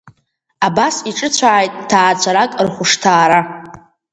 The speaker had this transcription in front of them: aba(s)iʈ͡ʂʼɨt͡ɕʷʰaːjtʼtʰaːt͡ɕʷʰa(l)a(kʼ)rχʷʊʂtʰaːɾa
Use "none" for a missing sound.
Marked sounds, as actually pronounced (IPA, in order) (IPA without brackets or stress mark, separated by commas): s, ɾ, kʼ